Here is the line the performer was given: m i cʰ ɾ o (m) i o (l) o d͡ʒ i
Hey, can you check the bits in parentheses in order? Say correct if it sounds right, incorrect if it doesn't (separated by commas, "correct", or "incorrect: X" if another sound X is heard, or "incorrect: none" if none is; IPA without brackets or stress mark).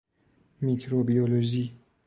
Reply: incorrect: b, correct